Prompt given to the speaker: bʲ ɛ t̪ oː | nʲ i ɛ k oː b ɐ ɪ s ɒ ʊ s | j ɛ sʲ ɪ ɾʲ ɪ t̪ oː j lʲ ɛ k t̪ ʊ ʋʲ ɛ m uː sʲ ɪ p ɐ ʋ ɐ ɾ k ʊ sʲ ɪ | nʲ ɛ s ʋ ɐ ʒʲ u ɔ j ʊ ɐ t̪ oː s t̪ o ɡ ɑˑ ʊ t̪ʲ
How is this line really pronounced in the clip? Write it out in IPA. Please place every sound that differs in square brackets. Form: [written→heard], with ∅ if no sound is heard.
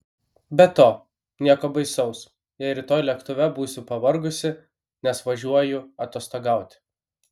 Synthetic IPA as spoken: bʲ ɛ t̪ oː | nʲ i ɛ k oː b ɐ ɪ s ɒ ʊ s | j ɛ [sʲ→∅] ɪ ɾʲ ɪ t̪ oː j lʲ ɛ k t̪ ʊ ʋʲ ɛ [m→b] uː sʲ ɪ p ɐ ʋ ɐ ɾ [k→ɡ] ʊ sʲ ɪ | nʲ ɛ s ʋ ɐ ʒʲ u ɔ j ʊ ɐ t̪ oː s t̪ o ɡ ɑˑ ʊ t̪ʲ